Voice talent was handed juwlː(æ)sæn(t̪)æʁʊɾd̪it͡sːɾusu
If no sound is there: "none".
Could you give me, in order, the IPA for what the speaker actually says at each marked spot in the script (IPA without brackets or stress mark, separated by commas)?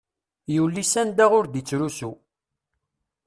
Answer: i, d̪